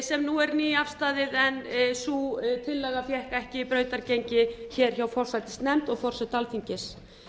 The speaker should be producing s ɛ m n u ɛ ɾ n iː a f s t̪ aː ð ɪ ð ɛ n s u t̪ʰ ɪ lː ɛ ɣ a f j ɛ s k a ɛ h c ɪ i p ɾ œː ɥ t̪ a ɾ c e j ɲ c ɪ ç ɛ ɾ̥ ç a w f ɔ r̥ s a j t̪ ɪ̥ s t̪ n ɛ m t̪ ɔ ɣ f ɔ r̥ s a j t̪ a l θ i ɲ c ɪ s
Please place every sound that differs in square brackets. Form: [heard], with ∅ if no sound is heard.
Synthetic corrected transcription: s ɛ m n u ɛ ɾ n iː a f s t̪ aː ð ɪ ð ɛ n s u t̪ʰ ɪ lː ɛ ɣ a f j ɛ [h] k a ɛ h c ɪ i p ɾ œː ɥ t̪ a ɾ c e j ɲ c ɪ ç ɛ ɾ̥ ç a w f ɔ r̥ s a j t̪ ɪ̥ s t̪ n ɛ m t̪ ɔ ɣ f ɔ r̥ s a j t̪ a l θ i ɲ c ɪ s

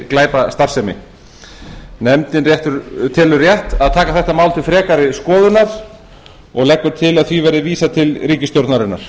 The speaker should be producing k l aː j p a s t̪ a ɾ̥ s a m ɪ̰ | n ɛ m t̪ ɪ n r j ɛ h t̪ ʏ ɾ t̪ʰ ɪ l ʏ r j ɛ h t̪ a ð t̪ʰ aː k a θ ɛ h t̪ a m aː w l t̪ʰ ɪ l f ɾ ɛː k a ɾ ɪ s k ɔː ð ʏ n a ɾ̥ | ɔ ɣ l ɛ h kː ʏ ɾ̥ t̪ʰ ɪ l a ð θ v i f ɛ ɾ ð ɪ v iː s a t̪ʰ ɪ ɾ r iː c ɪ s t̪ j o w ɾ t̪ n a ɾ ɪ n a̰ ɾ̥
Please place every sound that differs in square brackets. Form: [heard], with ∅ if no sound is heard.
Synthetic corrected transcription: k l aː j p a s t̪ a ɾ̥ s [ɛ] m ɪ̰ | n ɛ m t̪ ɪ n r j ɛ h t̪ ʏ ɾ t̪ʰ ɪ l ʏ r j ɛ h t̪ a ð t̪ʰ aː k a θ ɛ h t̪ a m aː w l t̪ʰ ɪ l f ɾ ɛː k a ɾ ɪ s k ɔː ð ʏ n a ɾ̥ | ɔ ɣ l ɛ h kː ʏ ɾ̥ t̪ʰ ɪ l a ð θ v i [v] ɛ ɾ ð ɪ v iː s a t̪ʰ ɪ [l] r iː c ɪ s t̪ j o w ɾ t̪ n a ɾ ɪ n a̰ ɾ̥

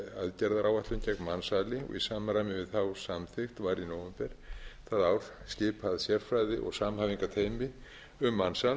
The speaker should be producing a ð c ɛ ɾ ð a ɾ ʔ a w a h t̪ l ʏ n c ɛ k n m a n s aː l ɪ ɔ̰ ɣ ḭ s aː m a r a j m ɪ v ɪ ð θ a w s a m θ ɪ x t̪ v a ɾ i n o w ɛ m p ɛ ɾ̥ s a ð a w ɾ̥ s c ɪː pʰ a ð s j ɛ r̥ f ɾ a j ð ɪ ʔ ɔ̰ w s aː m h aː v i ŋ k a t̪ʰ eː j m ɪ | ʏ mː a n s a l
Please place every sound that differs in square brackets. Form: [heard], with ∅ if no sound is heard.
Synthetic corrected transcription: a ð c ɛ ɾ ð a ɾ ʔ a w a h t̪ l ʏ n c ɛ k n m a n s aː l ɪ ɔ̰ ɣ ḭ s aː m a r a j m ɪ v ɪ ð θ a w s a m θ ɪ x t̪ v a ɾ i n o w ɛ m p ɛ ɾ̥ [θ] a ð a w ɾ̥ s c ɪː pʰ a ð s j ɛ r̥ f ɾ a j ð ɪ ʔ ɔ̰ [ɣ] s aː m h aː v i ŋ k a t̪ʰ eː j m ɪ | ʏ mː a n s a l

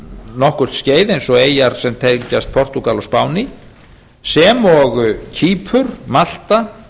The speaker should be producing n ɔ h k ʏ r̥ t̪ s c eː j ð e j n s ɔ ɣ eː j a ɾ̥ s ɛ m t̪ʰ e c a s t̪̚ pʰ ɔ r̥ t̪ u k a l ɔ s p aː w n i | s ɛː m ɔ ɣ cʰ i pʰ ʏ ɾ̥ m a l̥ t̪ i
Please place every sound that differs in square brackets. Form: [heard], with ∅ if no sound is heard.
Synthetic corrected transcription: n ɔ h k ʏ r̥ t̪ s c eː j ð e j n s ɔ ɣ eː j a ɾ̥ s ɛ m t̪ʰ e c a s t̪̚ pʰ ɔ r̥ t̪ u k a l ɔ s p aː w n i | s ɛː m ɔ ɣ cʰ [iː] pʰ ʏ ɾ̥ m a l̥ t̪ [a]

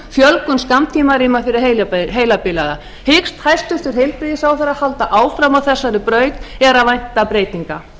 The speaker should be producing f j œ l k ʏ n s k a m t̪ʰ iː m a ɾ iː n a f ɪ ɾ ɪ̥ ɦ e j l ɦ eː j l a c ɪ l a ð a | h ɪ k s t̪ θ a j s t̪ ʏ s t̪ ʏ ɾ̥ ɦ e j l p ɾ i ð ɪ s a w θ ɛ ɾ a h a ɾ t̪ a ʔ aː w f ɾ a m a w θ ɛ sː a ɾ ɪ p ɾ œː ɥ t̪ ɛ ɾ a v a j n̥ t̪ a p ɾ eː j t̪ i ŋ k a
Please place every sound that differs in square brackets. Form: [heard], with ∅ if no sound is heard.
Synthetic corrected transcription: f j œ l k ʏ n s k a m t̪ʰ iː m a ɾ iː [m] a f ɪ ɾ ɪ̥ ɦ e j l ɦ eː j l a [p] ɪ l a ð a | h ɪ k s t̪ [h] a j s t̪ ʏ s t̪ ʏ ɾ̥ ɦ e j l p ɾ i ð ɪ s a w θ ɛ ɾ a h a [l] t̪ a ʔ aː w f ɾ a m a w θ ɛ sː a ɾ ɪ p ɾ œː ɥ t̪ ɛ ɾ a v a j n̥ t̪ a p ɾ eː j t̪ i ŋ k a

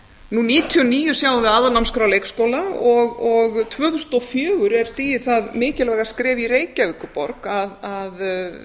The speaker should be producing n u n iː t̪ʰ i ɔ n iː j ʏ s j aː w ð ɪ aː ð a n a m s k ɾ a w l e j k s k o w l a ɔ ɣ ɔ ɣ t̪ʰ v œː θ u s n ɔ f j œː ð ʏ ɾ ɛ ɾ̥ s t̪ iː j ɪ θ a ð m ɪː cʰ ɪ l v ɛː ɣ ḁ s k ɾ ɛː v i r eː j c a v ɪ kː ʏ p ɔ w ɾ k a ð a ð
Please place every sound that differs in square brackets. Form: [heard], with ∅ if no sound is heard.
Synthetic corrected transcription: n u n iː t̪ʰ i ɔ n iː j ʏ s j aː w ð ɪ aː ð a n a m s k ɾ a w l e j k s k o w l a ɔ ɣ ɔ ɣ t̪ʰ v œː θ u s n ɔ f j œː [ɣ] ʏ ɾ ɛ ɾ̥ s t̪ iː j ɪ θ a ð m ɪː [c] ɪ l v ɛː ɣ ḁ s k ɾ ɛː v i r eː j c a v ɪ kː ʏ p ɔ [∅] ɾ k a ð a ð

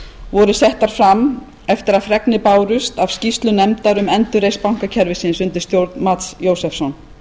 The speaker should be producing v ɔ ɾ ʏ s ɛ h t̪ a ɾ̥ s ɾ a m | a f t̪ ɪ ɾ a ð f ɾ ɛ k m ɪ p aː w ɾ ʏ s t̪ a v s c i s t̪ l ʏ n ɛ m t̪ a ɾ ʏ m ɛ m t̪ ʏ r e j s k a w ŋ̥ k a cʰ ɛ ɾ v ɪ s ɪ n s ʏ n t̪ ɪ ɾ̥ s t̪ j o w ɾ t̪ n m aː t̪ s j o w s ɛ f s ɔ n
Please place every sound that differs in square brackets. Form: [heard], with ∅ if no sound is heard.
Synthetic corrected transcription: v ɔ ɾ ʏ s ɛ h t̪ a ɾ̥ [f] ɾ a m | [ɛ] f t̪ ɪ ɾ a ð f ɾ ɛ k [n] ɪ p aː w ɾ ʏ s t̪ a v s c i s t̪ l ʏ n ɛ m t̪ a ɾ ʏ m ɛ [n] t̪ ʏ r e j s [p] a w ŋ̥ k a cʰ ɛ ɾ v ɪ s ɪ n s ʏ n t̪ ɪ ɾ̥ s t̪ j o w ɾ t̪ n m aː t̪ s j o w s ɛ f s ɔ n

